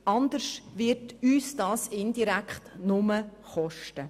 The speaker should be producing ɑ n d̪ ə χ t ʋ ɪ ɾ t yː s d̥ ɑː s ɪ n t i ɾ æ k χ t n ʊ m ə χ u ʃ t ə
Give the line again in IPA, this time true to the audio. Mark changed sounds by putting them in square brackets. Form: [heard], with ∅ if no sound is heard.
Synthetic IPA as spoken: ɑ n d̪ ə [ʃ] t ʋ ɪ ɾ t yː s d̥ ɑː s ɪ n [d] i ɾ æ k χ t n ʊ m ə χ [ɔ] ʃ t ə